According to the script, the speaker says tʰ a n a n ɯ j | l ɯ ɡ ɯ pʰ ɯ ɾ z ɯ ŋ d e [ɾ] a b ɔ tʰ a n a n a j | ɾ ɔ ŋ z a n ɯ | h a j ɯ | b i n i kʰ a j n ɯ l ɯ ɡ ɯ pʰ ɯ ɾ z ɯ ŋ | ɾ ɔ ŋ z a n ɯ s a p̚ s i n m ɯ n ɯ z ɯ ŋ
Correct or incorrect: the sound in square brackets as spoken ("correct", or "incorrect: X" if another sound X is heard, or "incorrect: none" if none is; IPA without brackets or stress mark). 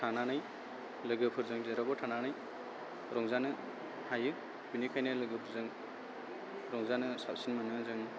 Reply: correct